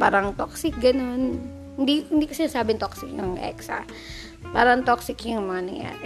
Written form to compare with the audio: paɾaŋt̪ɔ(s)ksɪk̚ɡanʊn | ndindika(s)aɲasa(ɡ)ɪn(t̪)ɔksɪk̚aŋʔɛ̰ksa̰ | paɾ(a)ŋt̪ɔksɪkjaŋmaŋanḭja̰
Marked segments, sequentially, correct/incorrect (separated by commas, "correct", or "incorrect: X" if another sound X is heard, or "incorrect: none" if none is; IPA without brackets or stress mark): incorrect: none, correct, incorrect: b, correct, correct